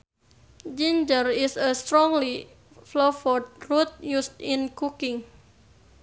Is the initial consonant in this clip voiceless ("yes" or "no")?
no